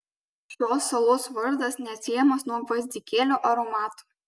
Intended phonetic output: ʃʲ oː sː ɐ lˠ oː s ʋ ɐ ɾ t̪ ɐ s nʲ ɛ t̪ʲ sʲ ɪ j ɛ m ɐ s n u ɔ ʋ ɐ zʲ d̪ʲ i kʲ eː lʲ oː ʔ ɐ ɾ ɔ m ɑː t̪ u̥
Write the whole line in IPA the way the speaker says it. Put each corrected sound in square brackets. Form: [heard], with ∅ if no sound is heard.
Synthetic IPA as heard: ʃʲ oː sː ɐ lˠ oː s ʋ ɐ ɾ [d̪] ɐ s nʲ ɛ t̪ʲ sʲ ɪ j ɛ m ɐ s n u ɔ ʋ ɐ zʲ d̪ʲ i kʲ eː lʲ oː ʔ ɐ ɾ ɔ m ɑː t̪ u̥

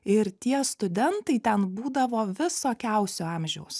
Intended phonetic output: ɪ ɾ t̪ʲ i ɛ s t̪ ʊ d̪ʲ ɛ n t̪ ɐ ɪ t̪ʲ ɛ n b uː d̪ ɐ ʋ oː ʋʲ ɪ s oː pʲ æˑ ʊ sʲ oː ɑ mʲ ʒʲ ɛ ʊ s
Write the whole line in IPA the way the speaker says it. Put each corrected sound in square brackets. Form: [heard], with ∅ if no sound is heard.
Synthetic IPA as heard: ɪ ɾ t̪ʲ i ɛ s t̪ ʊ d̪ʲ ɛ n t̪ ɐ ɪ t̪ʲ ɛ n b uː d̪ ɐ ʋ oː ʋʲ ɪ s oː [kʲ] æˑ ʊ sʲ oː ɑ mʲ ʒʲ ɛ ʊ s

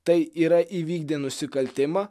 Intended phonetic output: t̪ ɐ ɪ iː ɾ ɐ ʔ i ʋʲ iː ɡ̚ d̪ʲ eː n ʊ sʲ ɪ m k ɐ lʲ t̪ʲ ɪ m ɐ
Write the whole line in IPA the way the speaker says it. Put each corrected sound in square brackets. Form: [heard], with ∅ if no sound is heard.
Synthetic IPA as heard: t̪ ɐ ɪ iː ɾ ɐ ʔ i ʋʲ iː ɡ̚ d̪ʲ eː n ʊ sʲ ɪ [∅] k ɐ lʲ t̪ʲ ɪ m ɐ

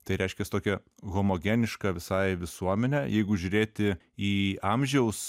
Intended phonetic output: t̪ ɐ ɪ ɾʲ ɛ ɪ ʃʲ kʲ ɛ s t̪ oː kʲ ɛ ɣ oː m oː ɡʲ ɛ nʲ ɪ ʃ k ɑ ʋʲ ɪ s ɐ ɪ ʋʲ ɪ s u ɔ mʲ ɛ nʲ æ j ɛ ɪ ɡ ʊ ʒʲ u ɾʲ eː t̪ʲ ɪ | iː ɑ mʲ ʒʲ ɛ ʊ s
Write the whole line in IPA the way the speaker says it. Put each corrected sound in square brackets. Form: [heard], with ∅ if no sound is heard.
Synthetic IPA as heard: t̪ ɐ ɪ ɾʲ ɛ ɪ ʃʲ kʲ ɛ s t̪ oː kʲ ɛ ɣ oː m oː ɡʲ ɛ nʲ ɪ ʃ k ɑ ʋʲ ɪ s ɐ ɪ ʋʲ ɪ s u ɔ mʲ ɛ nʲ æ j ɛ ɪ ɡ ʊ ʒʲ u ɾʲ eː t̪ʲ ɪ | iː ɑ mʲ ʒʲ ɛ ʊ s

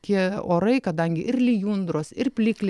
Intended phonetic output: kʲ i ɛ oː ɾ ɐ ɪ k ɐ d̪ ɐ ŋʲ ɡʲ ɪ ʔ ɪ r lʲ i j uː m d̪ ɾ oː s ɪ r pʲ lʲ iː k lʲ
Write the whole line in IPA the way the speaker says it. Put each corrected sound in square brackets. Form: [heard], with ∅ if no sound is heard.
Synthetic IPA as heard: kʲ i ɛ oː ɾ ɐ ɪ k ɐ d̪ ɐ ŋʲ ɡʲ ɪ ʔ ɪ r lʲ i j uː [n] d̪ ɾ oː s ɪ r pʲ lʲ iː k lʲ

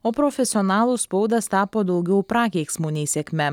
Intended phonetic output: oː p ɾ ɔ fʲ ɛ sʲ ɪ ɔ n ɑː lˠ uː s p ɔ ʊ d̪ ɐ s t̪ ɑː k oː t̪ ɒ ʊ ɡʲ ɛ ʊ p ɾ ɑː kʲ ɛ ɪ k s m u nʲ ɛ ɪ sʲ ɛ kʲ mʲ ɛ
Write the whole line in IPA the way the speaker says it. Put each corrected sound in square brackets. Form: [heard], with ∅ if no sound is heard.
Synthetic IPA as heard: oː p ɾ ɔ fʲ ɛ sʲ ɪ ɔ n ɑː lˠ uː s p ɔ ʊ d̪ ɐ s t̪ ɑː [p] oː [d̪] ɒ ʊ ɡʲ ɛ ʊ p ɾ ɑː kʲ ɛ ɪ k s m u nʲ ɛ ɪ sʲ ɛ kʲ mʲ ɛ

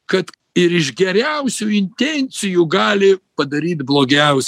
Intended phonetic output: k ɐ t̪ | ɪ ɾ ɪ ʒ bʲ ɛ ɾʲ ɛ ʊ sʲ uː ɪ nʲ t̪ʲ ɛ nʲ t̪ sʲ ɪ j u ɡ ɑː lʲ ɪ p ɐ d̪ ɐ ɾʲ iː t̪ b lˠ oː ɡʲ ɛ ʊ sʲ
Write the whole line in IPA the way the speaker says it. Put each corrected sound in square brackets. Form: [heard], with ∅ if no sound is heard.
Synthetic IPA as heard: k ɐ t̪ | ɪ ɾ ɪ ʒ [ɡʲ] ɛ ɾʲ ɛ ʊ sʲ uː ɪ nʲ t̪ʲ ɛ nʲ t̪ sʲ ɪ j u ɡ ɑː lʲ ɪ p ɐ d̪ ɐ ɾʲ iː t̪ b lˠ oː ɡʲ ɛ ʊ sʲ

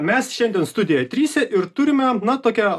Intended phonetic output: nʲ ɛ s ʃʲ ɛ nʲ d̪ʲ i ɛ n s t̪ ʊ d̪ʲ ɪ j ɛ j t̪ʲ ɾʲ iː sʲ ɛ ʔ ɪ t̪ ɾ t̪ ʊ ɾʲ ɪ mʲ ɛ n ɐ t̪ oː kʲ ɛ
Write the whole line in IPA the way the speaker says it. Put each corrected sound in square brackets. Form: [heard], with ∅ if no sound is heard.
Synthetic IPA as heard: [mʲ] ɛ s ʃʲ ɛ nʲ d̪ʲ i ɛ n s t̪ ʊ d̪ʲ ɪ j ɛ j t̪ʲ ɾʲ iː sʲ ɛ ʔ ɪ [∅] ɾ t̪ ʊ ɾʲ ɪ mʲ ɛ n ɐ t̪ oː kʲ ɛ

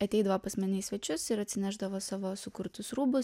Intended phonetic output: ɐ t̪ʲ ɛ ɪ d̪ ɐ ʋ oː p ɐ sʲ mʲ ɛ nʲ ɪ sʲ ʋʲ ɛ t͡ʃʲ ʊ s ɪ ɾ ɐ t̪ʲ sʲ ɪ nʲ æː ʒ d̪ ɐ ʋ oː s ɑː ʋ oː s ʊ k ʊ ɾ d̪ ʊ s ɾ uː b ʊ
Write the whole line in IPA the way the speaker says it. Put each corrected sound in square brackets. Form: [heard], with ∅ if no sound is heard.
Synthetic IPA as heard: ɐ t̪ʲ ɛ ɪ d̪ ɐ ʋ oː p ɐ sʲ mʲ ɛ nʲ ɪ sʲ ʋʲ ɛ t͡ʃʲ ʊ s ɪ ɾ ɐ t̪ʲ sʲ ɪ nʲ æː ʒ d̪ ɐ ʋ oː s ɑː ʋ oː s ʊ k ʊ ɾ [t̪] ʊ s ɾ uː b ʊ

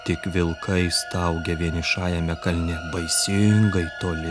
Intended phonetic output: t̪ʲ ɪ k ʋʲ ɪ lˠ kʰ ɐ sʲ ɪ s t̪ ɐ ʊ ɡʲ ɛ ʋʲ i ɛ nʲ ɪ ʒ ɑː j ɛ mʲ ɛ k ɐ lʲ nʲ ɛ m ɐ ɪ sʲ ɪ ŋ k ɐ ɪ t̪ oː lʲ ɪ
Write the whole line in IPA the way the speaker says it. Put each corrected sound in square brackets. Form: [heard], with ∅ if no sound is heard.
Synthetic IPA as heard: t̪ʲ ɪ k ʋʲ ɪ lˠ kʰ ɐ [∅] ɪ s t̪ ɐ ʊ ɡʲ ɛ ʋʲ i ɛ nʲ ɪ [ʃ] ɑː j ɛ mʲ ɛ k ɐ lʲ nʲ ɛ [b] ɐ ɪ sʲ ɪ ŋ [ɡ] ɐ ɪ t̪ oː lʲ ɪ

